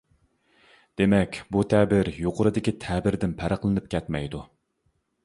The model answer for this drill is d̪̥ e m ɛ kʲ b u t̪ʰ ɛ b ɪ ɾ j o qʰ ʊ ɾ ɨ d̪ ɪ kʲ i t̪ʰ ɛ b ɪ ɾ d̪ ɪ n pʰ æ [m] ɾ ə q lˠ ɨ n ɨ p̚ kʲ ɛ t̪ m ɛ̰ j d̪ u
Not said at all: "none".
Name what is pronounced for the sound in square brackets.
none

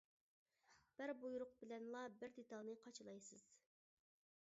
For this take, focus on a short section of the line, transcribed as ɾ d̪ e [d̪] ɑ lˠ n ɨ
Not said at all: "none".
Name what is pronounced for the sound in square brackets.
t̪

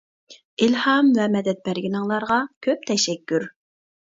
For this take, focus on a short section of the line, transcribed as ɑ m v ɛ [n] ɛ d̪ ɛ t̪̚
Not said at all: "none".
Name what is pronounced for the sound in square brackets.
m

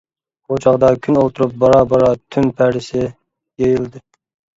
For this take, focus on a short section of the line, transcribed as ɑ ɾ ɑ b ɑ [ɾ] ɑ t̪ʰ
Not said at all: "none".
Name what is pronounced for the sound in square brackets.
ɾ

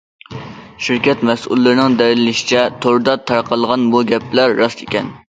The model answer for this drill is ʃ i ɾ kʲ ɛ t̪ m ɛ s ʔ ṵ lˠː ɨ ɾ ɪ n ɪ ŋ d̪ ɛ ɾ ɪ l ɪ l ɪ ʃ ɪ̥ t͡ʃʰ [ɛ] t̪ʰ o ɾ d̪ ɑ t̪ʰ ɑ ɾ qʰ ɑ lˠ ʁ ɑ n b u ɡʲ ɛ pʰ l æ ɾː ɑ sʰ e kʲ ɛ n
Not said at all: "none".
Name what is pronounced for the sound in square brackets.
ɛ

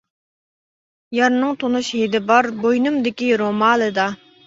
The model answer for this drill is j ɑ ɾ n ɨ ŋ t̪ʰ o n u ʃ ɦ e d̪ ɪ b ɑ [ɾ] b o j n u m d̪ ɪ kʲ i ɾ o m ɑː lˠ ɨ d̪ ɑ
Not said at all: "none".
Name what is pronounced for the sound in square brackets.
ɾ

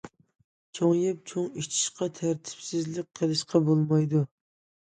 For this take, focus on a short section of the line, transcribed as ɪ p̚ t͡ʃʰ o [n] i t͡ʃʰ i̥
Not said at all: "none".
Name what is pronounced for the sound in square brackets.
ŋ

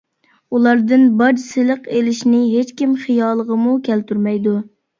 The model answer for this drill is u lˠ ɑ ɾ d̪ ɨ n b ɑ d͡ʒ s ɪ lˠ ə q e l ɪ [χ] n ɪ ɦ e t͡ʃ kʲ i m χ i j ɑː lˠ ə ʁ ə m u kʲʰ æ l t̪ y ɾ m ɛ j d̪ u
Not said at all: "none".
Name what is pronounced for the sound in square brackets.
ʃ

